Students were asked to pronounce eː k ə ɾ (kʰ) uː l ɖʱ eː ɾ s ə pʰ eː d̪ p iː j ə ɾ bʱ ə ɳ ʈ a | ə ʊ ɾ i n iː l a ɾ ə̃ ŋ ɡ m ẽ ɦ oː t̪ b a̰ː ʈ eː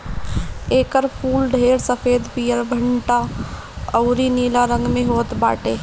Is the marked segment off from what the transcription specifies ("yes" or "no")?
yes